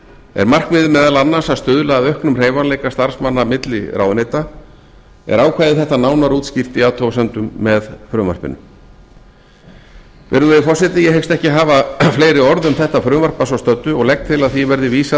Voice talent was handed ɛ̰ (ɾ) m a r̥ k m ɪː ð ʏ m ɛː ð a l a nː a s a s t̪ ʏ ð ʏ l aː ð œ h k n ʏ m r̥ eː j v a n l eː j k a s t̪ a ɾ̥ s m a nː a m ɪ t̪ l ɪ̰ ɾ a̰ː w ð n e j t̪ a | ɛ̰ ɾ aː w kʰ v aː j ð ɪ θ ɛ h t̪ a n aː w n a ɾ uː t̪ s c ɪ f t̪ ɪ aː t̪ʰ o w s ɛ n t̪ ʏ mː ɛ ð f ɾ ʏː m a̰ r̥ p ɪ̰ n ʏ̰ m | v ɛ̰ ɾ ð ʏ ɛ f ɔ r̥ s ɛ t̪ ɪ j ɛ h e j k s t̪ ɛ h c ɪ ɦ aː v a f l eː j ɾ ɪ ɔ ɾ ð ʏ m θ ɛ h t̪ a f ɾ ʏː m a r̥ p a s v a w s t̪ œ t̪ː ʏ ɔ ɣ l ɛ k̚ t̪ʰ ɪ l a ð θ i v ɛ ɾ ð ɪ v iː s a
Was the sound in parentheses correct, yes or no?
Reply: yes